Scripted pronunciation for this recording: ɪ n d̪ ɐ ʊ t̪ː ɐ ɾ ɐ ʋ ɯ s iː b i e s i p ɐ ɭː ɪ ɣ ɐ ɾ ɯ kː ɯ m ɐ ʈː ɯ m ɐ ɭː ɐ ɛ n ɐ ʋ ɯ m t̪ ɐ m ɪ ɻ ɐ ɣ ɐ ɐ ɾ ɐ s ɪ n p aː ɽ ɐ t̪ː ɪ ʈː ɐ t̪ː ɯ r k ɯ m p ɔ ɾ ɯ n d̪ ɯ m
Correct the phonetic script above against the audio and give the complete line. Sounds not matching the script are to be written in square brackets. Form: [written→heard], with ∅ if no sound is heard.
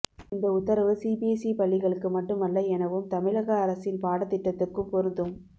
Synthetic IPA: ɪ n d̪ ɐ ʊ t̪ː ɐ ɾ ɐ ʋ ɯ s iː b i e s i p ɐ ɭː ɪ ɣ ɐ [ɾ→ɭ] ɯ kː ɯ m ɐ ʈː ɯ m ɐ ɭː ɐ ɛ n ɐ ʋ ɯ m t̪ ɐ m ɪ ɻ ɐ ɣ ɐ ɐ ɾ ɐ s ɪ n p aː ɽ ɐ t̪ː ɪ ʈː ɐ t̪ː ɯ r k ɯ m p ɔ ɾ ɯ n d̪ ɯ m